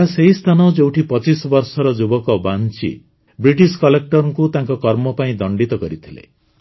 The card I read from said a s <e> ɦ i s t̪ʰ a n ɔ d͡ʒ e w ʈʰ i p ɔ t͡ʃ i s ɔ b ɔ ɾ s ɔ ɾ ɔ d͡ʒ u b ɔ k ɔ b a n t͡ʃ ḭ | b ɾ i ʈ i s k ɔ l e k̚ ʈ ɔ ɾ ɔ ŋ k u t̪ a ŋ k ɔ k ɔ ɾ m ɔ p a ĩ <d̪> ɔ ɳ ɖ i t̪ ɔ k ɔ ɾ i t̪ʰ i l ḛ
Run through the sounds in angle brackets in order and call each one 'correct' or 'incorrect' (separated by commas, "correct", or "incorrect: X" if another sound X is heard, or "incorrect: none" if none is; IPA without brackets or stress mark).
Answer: correct, correct